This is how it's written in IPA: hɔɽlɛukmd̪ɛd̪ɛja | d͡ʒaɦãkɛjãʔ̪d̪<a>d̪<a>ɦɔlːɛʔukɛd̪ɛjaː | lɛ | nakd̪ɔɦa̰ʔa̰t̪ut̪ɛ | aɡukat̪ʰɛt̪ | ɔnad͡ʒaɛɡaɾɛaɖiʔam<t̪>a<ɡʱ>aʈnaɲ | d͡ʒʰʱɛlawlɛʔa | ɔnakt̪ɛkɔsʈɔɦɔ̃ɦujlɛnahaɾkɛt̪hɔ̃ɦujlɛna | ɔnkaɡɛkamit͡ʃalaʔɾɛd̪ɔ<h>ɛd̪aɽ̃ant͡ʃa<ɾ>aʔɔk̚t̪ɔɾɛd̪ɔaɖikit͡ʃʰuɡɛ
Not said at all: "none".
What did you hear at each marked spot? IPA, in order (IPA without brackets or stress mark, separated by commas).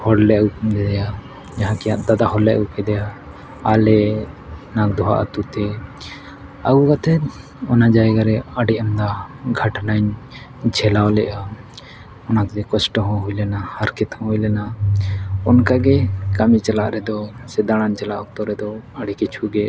a, a, d̪, ɡʱ, s, l